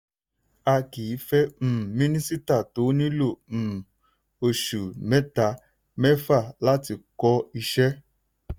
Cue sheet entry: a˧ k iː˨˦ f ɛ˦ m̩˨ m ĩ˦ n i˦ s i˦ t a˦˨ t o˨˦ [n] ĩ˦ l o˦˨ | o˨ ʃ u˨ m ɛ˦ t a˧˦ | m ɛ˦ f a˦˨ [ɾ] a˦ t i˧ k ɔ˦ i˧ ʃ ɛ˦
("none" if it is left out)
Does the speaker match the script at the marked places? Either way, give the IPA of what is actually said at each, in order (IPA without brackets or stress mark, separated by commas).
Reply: n, l